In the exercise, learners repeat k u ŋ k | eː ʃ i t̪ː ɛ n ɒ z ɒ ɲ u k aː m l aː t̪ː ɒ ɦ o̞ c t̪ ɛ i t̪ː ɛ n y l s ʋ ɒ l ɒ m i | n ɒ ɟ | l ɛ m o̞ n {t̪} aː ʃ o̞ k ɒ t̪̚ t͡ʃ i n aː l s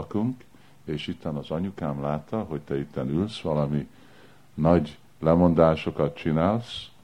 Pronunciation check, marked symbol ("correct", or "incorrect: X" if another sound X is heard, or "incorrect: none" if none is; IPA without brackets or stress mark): incorrect: d̪